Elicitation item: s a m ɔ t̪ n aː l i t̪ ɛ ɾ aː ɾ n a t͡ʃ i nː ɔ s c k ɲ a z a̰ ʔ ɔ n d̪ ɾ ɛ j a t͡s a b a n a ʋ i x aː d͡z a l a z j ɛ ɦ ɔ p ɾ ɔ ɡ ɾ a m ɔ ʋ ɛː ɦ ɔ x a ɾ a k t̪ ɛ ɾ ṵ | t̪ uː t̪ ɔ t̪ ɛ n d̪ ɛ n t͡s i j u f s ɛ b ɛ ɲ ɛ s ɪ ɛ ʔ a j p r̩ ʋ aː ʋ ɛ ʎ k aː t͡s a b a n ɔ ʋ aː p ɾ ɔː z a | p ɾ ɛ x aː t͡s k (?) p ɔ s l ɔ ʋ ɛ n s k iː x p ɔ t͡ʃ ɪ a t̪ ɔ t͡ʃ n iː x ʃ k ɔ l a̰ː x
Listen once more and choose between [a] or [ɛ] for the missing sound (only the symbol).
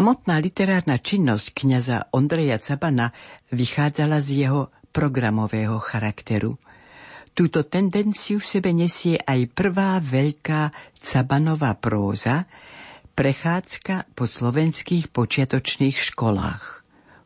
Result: a